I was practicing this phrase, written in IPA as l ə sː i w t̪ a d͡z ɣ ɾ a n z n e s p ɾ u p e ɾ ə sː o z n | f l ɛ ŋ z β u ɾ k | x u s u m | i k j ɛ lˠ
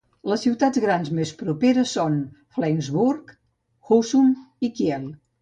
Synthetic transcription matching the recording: l ə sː i w t̪ a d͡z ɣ ɾ a n z m e s p ɾ u p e ɾ ə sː o n | f l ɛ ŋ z β u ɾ k | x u s u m | i k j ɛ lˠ

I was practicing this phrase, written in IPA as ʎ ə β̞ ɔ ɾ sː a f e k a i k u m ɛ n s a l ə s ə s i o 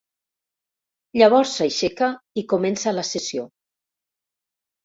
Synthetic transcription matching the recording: ʎ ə β̞ ɔ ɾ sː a ʃ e k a i k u m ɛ n s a l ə s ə s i o

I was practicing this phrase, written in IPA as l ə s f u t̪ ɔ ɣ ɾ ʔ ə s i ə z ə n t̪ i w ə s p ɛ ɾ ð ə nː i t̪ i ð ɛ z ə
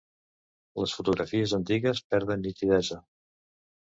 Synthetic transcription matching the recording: l ə s f u t̪ u ɣ ɾ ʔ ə f i ə z ə n t̪ i ɣ ə s p ɛ ɾ ð ə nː i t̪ i ð ɛ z ə

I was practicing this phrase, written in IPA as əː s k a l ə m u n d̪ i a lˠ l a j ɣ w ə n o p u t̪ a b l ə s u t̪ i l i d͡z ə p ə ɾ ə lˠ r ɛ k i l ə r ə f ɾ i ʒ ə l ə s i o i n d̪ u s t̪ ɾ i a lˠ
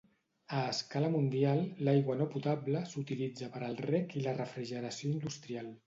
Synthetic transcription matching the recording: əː s k a l ə m u n d̪ i a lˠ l a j ɣ w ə n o p u t̪ a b l ə s u t̪ i l i d͡z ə p ə ɾ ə lˠ r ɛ k i l ə r ə f ɾ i ʒ ə ɾ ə s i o i n d̪ u s t̪ ɾ i a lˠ

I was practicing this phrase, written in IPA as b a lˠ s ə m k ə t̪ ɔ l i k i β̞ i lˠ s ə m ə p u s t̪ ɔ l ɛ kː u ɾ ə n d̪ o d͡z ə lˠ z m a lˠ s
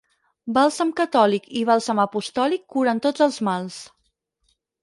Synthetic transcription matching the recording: b a lˠ s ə m k ə t̪ ɔ l i k i β̞ a lˠ s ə m ə p u s t̪ ɔ l i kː u ɾ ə n t̪ o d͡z ə lˠ z m a lˠ s

